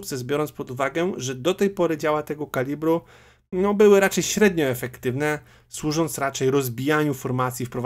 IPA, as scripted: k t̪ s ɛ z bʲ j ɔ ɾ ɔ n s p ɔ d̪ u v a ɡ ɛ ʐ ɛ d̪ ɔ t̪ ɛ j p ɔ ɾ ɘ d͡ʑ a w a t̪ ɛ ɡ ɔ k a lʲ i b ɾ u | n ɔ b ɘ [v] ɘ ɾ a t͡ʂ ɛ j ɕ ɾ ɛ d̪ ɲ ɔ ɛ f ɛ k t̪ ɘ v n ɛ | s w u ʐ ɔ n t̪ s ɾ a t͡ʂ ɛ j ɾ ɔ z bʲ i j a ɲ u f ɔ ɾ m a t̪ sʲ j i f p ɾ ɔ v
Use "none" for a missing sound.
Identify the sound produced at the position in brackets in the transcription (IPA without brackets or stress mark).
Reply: w